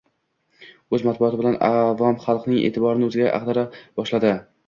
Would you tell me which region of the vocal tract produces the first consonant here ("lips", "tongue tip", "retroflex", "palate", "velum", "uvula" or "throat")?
tongue tip